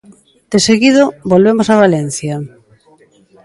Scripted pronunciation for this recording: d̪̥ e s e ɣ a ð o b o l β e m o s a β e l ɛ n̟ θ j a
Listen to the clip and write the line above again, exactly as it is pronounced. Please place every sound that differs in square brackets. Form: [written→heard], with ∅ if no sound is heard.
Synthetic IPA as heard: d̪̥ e s e ɣ [a→i] ð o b o l β e m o s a β [e→a] l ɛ n̟ θ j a